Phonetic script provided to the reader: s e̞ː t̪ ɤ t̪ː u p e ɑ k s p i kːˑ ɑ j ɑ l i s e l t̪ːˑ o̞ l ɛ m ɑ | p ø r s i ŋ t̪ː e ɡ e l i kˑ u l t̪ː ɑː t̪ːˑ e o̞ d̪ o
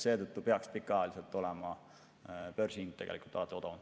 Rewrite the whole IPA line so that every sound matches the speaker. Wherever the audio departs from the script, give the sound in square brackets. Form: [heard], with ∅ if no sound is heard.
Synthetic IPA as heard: s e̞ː t̪ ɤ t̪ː u p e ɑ k s p i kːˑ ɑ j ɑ l i s e l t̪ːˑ o̞ l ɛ m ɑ | p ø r s i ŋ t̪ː e ɡ e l i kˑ u l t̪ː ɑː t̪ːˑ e o̞ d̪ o